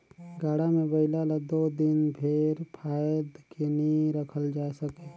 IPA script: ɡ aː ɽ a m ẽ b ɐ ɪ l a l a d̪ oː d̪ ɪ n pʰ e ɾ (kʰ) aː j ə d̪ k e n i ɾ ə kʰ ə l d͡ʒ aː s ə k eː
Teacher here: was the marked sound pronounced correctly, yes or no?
no